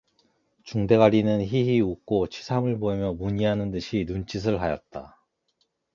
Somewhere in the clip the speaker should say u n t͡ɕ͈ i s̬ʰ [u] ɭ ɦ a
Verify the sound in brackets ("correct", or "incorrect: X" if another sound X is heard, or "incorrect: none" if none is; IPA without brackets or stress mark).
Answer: incorrect: ɯ